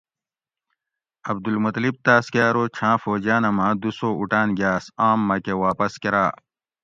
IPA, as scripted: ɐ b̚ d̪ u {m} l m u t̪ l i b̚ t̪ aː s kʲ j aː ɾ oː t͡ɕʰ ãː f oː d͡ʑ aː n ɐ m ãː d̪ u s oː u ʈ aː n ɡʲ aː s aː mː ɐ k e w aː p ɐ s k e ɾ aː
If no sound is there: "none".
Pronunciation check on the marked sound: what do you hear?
none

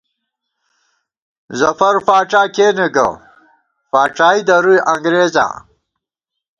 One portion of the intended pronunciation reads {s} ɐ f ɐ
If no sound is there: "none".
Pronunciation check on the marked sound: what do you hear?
z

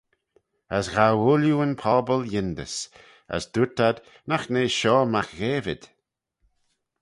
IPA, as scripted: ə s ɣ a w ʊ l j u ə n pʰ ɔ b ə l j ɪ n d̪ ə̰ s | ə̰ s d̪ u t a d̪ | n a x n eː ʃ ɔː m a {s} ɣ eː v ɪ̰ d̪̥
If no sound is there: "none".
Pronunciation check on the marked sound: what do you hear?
x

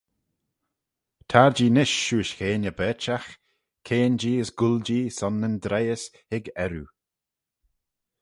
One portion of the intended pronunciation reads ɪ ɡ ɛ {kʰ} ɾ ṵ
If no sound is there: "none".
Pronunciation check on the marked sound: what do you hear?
none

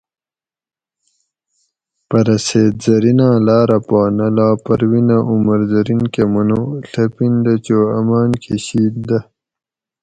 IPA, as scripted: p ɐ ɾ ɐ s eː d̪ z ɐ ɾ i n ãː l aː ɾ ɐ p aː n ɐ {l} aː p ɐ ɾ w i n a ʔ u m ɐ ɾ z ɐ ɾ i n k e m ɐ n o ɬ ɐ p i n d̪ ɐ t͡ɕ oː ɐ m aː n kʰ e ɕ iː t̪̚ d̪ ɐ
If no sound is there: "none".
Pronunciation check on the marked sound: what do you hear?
l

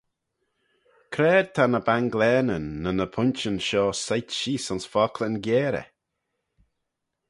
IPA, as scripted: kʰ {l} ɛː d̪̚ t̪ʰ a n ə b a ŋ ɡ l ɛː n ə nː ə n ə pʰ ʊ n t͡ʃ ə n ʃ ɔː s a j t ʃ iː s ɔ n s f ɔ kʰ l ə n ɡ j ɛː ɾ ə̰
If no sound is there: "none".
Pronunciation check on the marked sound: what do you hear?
ɾ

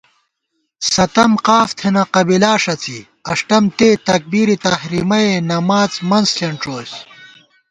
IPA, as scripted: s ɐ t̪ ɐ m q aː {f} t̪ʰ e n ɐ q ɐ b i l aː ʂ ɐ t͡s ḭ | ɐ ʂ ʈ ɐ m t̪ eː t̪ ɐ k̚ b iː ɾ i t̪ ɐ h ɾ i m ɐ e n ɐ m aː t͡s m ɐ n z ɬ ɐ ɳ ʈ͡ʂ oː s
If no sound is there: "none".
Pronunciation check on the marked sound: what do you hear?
f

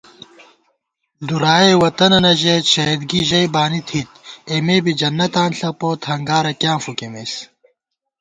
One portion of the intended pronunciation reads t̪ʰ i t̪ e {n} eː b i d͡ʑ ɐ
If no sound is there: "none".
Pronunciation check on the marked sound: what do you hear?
m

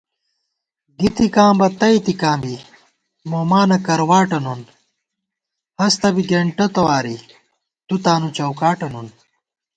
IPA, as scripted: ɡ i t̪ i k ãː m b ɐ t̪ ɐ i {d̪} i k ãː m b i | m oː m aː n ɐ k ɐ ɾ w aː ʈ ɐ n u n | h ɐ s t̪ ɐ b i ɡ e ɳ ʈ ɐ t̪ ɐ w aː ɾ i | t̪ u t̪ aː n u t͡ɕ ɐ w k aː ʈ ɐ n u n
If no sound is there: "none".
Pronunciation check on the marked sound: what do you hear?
t̪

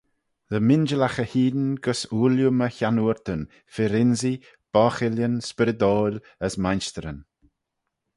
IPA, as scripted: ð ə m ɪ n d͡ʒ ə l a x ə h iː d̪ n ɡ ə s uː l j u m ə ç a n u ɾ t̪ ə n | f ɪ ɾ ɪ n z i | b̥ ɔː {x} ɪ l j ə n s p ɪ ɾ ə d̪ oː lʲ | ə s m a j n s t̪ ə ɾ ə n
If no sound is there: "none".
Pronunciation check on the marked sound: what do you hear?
x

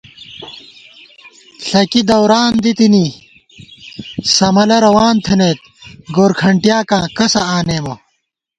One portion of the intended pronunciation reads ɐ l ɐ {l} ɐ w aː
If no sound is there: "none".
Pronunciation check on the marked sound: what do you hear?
ɾ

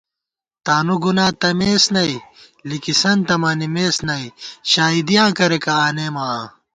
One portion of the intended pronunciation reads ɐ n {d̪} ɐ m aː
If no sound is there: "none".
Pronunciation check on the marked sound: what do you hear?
t̪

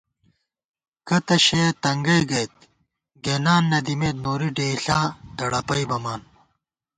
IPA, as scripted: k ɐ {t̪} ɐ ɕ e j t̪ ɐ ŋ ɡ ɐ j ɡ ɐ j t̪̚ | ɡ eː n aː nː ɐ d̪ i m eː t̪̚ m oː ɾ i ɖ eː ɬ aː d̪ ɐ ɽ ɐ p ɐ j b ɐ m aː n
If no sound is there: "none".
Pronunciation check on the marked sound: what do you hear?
t̪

